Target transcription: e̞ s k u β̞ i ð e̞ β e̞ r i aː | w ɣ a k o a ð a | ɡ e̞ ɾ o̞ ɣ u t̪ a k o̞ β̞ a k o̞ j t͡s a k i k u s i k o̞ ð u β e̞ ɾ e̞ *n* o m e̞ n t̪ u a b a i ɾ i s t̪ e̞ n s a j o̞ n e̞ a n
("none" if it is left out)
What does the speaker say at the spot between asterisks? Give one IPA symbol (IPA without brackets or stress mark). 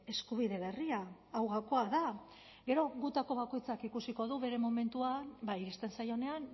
m